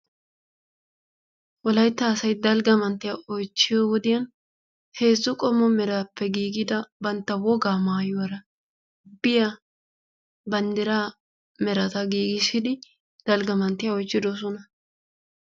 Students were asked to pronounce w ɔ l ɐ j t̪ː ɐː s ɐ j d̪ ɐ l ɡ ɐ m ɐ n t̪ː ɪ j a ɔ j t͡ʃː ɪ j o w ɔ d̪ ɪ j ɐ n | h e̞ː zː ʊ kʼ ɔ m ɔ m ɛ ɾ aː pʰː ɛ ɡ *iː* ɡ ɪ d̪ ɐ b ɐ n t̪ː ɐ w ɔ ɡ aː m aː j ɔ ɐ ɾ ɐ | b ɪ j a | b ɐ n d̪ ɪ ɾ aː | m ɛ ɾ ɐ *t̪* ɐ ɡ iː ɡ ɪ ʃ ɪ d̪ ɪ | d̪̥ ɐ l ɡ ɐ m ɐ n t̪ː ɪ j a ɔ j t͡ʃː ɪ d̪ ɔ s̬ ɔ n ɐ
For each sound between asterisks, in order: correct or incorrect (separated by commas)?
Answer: correct, correct